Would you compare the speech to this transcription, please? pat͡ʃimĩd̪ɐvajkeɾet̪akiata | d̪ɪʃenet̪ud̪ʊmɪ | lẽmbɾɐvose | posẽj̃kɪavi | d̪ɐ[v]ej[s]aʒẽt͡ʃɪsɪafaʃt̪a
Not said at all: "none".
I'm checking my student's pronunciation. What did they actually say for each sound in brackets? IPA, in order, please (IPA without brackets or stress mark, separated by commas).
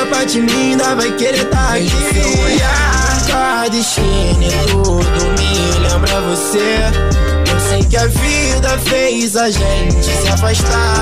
f, z